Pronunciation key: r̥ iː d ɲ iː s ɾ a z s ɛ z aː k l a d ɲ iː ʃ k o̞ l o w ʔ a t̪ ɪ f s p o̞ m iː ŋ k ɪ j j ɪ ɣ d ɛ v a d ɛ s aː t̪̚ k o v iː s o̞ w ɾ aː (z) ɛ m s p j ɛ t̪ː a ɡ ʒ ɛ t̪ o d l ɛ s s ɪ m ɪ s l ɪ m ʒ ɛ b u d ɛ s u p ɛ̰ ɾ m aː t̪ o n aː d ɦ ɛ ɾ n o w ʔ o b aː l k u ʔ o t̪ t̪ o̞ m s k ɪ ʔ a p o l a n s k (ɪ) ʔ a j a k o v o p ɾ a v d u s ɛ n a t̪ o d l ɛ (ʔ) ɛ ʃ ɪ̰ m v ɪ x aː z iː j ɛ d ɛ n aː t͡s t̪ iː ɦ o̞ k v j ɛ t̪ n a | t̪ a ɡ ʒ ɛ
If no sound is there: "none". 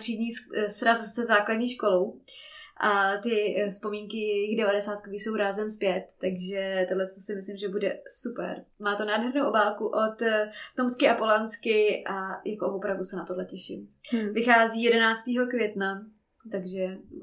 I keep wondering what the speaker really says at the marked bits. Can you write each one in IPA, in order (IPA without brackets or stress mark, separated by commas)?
z, ɪ, c